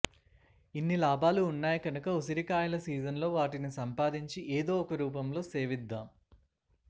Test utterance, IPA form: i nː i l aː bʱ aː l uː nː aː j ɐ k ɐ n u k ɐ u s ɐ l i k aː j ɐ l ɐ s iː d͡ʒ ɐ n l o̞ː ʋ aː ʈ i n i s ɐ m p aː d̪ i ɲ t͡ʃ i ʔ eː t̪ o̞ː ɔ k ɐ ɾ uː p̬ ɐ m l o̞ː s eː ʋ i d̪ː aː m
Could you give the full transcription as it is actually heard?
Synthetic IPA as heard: i nː i l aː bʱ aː l uː nː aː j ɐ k ɐ n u k ɐ u s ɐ ɾ i k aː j ɐ l ɐ s iː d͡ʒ ɐ n l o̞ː ʋ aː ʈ i n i s ɐ m p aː d̪ i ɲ t͡ʃ i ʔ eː d̪ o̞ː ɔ k ɐ ɾ uː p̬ ɐ m l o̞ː s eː ʋ i d̪ː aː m